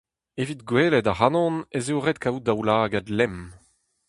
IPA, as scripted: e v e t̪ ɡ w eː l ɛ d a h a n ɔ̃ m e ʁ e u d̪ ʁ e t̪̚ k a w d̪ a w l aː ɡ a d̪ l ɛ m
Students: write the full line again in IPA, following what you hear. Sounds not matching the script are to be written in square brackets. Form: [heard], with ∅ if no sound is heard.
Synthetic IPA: e v [i] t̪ ɡ w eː l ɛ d a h a n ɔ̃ [n] e [z] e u [∅] ʁ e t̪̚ k a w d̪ a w l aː ɡ a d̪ l ɛ m